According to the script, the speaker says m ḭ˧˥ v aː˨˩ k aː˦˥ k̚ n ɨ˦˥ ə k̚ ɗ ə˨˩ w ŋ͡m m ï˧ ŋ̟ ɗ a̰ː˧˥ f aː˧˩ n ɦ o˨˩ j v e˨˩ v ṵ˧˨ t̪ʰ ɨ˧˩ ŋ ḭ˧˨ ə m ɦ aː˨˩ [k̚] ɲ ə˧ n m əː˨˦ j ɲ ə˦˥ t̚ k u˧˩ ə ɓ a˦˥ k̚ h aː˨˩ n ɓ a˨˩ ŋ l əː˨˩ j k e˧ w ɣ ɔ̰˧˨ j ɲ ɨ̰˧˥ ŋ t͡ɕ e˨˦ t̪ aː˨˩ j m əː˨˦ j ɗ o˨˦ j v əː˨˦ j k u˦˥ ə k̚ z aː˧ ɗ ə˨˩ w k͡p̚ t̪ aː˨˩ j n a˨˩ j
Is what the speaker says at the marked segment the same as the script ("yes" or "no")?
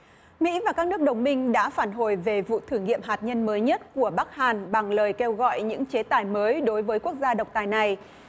no